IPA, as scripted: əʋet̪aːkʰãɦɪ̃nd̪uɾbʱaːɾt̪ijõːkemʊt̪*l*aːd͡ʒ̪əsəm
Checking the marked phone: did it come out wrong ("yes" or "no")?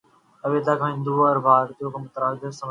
yes